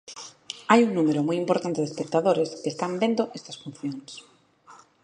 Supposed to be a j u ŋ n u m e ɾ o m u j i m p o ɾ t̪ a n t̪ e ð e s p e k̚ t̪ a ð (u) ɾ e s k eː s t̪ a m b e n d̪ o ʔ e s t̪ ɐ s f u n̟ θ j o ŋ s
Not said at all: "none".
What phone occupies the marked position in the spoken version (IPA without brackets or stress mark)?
o